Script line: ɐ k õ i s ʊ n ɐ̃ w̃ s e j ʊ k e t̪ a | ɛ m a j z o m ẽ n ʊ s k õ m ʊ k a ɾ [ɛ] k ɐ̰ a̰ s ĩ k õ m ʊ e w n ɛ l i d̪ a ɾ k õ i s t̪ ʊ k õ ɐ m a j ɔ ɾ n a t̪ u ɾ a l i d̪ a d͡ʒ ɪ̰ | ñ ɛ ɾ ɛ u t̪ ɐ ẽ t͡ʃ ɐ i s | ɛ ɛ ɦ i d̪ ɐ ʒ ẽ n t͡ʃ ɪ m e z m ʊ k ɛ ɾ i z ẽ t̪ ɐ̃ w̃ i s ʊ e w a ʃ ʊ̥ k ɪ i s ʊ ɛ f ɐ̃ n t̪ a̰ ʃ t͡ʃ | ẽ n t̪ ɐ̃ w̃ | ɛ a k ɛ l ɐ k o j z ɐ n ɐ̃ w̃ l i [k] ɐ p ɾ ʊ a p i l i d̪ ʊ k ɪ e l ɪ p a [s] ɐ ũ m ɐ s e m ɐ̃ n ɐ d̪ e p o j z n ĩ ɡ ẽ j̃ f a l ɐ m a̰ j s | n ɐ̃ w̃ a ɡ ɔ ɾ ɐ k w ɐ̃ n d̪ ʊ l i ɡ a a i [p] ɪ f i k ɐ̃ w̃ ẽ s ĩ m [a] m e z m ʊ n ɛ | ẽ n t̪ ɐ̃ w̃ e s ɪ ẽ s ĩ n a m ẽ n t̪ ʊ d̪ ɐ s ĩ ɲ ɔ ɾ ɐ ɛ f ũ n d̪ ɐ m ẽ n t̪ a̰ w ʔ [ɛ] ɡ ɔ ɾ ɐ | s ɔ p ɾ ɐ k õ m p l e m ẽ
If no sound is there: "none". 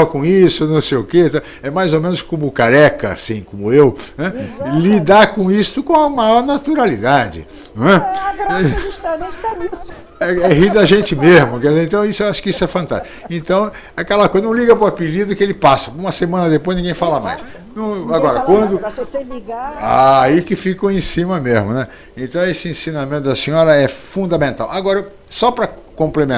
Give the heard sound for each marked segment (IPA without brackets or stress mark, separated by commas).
ɛ, ɡ, s, k, ɐ, a